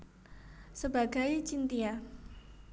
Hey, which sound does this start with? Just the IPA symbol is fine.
s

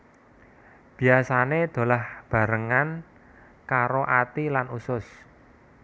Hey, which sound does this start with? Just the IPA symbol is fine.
b̥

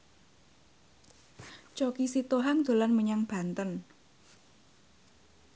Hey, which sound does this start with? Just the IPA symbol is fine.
t͡ʃ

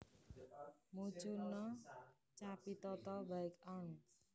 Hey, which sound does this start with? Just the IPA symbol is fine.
m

